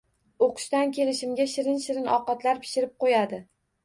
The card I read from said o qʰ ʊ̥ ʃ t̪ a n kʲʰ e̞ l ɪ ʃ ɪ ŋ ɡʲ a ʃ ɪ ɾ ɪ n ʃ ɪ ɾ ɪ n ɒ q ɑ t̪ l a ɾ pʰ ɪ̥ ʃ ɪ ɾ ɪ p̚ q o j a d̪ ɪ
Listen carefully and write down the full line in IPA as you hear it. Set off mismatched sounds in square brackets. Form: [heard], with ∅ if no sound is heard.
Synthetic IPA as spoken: o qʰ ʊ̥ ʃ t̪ a n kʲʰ e̞ l ɪ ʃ ɪ [m] ɡʲ a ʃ ɪ ɾ ɪ n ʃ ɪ ɾ ɪ n ɒ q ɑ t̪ l a ɾ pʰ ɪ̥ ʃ ɪ ɾ ɪ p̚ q o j a d̪ ɪ

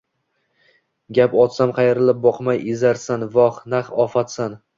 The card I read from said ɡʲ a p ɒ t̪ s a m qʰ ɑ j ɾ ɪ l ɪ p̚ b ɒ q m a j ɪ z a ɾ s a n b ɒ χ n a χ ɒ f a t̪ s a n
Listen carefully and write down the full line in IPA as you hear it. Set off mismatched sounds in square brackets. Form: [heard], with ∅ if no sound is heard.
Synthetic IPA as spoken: ɡʲ a p ɒ t̪ s a m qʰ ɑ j ɾ ɪ l ɪ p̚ b ɒ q m a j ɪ z a ɾ s a n [v] ɒ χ n a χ ɒ f a t̪ s a n

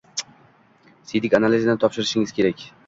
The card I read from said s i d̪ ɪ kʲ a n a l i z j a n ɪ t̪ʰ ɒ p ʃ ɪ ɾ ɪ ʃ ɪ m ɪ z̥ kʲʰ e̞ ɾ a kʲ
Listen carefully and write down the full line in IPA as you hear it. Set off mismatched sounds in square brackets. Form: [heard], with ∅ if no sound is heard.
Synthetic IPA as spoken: s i d̪ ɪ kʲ a n a l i z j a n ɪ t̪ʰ ɒ p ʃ ɪ ɾ ɪ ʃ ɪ [ŋ] ɪ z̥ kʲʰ e̞ ɾ a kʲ

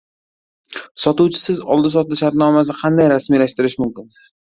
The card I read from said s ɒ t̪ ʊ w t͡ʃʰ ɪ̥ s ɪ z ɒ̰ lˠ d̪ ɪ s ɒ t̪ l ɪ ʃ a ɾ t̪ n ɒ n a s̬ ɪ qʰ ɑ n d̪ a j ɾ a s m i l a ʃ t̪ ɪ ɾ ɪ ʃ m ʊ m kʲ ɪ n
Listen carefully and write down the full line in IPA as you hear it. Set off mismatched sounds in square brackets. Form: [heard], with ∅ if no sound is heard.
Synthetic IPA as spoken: s ɒ t̪ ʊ w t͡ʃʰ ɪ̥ s ɪ z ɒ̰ lˠ d̪ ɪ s ɒ t̪ l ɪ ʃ a ɾ t̪ n ɒ [m] a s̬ ɪ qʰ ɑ n d̪ a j ɾ a s m i l a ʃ t̪ ɪ ɾ ɪ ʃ m ʊ m kʲ ɪ n

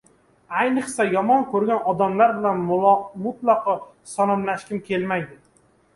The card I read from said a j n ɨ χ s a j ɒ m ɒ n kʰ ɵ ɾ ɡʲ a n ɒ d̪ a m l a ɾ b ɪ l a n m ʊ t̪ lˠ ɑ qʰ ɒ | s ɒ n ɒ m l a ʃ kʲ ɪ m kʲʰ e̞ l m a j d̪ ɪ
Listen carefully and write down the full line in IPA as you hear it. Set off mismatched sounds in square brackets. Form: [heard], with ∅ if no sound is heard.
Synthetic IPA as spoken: a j n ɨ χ s a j ɒ m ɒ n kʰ ɵ ɾ ɡʲ a n ɒ d̪ a m l a ɾ b ɪ l a n m ʊ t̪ lˠ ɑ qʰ ɒ | s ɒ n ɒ m l a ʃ kʲ ɪ m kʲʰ e̞ l m a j d̪ ɪ

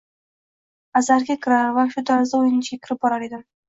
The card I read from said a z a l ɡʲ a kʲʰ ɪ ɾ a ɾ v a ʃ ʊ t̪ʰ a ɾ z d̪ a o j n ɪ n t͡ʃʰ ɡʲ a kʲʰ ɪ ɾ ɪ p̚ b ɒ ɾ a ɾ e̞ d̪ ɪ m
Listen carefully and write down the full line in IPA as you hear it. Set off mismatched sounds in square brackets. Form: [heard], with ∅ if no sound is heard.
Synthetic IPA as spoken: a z a [ɾ] ɡʲ a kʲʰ ɪ ɾ a ɾ v a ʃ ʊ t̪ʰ a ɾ z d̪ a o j n ɪ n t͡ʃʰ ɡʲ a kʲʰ ɪ ɾ ɪ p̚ b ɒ ɾ a ɾ e̞ d̪ ɪ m

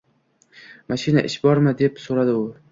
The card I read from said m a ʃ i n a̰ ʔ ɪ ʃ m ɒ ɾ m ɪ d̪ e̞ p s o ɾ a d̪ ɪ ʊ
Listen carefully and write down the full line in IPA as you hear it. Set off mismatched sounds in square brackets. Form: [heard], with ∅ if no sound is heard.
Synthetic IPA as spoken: m a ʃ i n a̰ ʔ ɪ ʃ [b] ɒ ɾ m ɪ d̪ e̞ p s o ɾ a d̪ ɪ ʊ

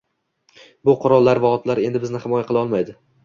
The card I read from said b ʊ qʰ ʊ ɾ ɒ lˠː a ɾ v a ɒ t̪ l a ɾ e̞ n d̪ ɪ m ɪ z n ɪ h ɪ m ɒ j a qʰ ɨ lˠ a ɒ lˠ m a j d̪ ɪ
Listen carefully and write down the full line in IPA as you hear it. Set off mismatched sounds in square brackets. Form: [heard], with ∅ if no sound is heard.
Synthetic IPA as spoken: b ʊ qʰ ʊ ɾ ɒ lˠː a ɾ v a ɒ t̪ l a ɾ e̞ n d̪ ɪ [b] ɪ z n ɪ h ɪ m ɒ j a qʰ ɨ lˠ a ɒ lˠ m a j d̪ ɪ

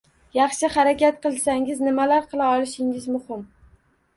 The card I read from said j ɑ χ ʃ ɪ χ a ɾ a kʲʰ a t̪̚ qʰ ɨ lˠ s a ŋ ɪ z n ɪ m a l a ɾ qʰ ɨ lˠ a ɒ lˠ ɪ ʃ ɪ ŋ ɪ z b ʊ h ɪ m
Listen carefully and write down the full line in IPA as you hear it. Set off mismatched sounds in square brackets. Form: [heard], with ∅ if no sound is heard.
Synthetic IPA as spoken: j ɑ χ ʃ ɪ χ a ɾ a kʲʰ a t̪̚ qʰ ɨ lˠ s a ŋ ɪ z n ɪ m a l a ɾ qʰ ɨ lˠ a ɒ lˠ ɪ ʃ ɪ ŋ ɪ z [m] ʊ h ɪ m

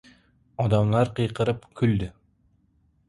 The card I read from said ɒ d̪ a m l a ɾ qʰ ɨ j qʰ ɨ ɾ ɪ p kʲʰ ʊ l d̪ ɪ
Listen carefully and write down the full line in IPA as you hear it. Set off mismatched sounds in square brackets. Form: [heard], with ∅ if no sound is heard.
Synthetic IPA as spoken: ɒ d̪ a m l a ɾ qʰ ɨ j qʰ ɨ ɾ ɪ p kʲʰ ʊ l d̪ ɪ

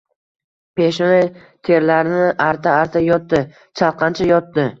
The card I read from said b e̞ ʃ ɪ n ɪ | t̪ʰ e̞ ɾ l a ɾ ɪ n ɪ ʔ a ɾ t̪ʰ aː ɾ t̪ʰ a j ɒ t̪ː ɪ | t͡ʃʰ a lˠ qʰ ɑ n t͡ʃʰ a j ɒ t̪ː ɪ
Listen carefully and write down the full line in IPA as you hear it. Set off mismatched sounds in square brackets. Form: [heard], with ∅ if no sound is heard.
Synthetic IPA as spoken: [p] e̞ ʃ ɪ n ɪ | t̪ʰ e̞ ɾ l a ɾ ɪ n ɪ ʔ a ɾ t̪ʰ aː ɾ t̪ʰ a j ɒ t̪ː ɪ | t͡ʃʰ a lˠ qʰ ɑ n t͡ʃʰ a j ɒ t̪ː ɪ

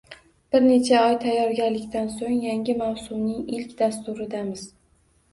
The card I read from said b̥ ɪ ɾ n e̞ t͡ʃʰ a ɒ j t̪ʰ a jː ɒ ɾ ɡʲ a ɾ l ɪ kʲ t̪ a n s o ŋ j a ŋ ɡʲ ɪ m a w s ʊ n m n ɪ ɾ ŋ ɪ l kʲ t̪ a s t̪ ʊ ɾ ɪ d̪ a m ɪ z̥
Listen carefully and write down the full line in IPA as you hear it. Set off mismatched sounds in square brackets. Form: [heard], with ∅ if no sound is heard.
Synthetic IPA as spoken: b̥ ɪ ɾ n e̞ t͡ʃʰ a ɒ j t̪ʰ a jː ɒ ɾ ɡʲ a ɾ l ɪ kʲ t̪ a n s o ŋ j a ŋ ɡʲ ɪ m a w s ʊ [∅] m n ɪ [∅] ŋ ɪ l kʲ [d̪] a s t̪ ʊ ɾ ɪ d̪ a m ɪ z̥

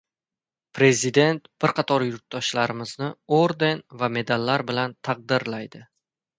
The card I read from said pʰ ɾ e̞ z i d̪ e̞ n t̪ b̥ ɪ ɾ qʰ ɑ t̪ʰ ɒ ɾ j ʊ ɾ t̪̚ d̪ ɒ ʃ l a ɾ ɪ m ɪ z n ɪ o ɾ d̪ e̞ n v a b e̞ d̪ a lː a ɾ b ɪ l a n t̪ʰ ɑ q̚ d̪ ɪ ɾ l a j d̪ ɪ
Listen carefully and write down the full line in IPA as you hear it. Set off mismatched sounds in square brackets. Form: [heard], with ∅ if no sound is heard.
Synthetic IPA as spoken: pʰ ɾ e̞ z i d̪ e̞ n t̪ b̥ ɪ ɾ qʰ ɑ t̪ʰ ɒ ɾ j ʊ ɾ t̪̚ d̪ ɒ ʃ l a ɾ ɪ m ɪ z n ɪ o ɾ d̪ e̞ n v a [m] e̞ d̪ a lː a ɾ b ɪ l a n t̪ʰ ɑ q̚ d̪ ɪ ɾ l a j d̪ ɪ

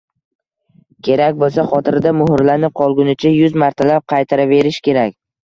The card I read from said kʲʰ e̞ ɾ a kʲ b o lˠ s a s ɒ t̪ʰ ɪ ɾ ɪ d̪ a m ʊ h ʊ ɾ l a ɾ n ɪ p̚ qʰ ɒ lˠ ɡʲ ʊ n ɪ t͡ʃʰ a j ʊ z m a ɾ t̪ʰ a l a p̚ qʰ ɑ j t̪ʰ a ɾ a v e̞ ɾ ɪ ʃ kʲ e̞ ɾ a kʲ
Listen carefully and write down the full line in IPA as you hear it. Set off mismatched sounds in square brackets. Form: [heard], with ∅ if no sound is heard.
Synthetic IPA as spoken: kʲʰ e̞ ɾ a kʲ b o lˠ s a [χ] ɒ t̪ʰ ɪ ɾ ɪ d̪ a m ʊ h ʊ ɾ l a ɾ n ɪ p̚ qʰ ɒ lˠ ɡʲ ʊ n ɪ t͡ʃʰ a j ʊ z m a ɾ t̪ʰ a l a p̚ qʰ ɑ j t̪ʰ a ɾ a v e̞ ɾ ɪ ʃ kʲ e̞ ɾ a kʲ

